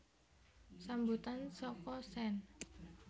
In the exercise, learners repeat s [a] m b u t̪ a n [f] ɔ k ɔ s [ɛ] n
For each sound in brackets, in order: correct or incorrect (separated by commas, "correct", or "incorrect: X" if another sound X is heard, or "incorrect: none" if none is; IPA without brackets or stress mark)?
correct, incorrect: s, correct